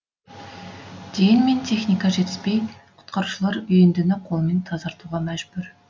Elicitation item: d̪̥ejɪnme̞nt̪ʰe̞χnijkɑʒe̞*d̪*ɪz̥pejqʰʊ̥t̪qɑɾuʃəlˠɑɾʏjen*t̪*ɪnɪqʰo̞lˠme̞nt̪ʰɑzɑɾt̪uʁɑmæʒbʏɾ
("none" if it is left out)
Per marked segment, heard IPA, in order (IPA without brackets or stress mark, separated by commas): t̪, d̪